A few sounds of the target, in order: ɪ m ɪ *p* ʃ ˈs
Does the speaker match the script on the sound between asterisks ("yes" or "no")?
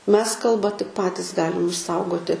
no